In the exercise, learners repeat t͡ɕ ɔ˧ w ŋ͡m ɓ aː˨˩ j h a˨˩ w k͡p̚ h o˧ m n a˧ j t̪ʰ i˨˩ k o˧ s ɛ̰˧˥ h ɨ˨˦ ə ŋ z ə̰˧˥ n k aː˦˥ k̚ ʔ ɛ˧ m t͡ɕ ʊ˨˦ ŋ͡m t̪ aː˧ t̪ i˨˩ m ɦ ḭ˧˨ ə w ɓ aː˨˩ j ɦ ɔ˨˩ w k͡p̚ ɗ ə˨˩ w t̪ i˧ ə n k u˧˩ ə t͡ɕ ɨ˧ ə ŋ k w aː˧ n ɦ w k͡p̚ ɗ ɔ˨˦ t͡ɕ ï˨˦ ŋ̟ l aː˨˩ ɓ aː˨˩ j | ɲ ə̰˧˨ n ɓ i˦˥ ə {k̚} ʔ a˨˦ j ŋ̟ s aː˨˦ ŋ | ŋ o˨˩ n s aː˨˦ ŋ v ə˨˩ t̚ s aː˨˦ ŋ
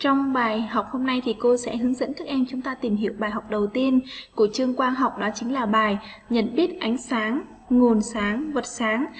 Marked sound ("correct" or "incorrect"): incorrect